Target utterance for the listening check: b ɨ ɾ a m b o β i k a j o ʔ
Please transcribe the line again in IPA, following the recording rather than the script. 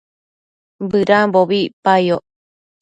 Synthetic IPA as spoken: b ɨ ɾ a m b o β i p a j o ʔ